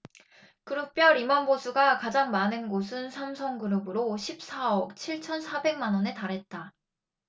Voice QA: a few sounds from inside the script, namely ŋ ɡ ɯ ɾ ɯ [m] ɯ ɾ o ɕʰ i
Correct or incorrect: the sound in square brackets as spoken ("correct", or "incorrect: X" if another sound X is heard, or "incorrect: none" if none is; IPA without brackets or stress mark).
incorrect: b